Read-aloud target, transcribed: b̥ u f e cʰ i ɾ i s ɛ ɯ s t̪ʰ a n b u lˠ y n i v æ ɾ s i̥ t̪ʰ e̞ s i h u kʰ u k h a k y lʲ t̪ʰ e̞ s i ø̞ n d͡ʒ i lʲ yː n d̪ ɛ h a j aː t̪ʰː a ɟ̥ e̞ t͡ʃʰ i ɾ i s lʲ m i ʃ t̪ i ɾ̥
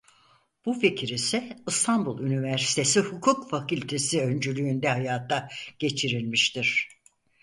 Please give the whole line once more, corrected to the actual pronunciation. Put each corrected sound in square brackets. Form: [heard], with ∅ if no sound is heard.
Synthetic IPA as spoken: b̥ u f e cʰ i ɾ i s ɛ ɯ s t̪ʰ a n b u lˠ y n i v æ ɾ s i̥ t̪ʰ e̞ s i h u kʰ u k [f] a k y lʲ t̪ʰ e̞ s i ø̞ n d͡ʒ [y] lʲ yː n d̪ ɛ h a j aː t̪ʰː a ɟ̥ e̞ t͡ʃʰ i ɾ i [∅] lʲ m i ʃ t̪ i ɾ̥